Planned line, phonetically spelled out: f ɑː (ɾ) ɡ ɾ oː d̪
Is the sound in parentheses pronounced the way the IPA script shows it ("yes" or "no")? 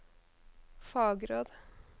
no